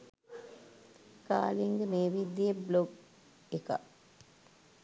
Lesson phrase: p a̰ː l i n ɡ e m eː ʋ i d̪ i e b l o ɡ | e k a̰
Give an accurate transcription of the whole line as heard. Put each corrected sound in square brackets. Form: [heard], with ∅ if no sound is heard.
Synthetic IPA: [k] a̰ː l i [ŋ] ɡ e m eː ʋ i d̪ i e b l o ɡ | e k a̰